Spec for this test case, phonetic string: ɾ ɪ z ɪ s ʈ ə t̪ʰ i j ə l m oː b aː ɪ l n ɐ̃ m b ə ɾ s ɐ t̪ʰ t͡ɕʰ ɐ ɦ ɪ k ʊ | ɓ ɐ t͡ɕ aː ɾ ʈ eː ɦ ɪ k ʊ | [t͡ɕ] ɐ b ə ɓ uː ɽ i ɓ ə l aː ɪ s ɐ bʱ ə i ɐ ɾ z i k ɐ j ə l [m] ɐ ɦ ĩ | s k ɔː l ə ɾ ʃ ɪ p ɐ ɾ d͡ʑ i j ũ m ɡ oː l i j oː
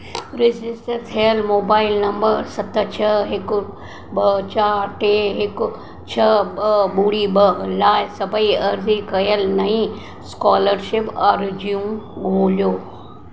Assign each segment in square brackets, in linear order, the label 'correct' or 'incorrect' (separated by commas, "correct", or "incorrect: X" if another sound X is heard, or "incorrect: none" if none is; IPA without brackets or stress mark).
incorrect: t͡ɕʰ, incorrect: n